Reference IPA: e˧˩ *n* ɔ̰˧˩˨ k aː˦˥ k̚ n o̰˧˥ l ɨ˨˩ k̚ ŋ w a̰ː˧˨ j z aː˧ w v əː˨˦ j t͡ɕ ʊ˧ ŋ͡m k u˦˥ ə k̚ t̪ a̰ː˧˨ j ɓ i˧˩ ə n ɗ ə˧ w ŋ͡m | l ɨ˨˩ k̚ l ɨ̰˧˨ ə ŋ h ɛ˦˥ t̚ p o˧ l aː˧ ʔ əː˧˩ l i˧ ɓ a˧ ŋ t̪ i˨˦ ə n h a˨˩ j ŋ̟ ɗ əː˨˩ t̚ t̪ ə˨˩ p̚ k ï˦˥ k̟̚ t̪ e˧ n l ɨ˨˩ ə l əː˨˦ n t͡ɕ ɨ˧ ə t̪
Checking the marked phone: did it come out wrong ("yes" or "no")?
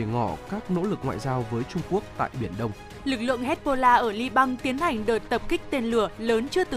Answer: yes